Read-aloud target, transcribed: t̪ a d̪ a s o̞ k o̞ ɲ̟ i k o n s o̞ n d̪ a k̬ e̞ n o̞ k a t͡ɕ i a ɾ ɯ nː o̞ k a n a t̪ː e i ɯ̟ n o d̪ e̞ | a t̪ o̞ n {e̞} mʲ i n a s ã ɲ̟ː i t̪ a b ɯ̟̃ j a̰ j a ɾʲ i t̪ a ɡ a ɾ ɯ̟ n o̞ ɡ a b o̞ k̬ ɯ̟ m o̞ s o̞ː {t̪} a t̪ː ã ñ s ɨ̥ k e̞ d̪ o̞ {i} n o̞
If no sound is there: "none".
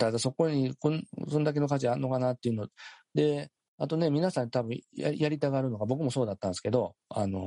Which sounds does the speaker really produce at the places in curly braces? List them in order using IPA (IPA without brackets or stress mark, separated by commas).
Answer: e̞, d̪, a